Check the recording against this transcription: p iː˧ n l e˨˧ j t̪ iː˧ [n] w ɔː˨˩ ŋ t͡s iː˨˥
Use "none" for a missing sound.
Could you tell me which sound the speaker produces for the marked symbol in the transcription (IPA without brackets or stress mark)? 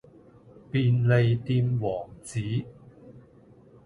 m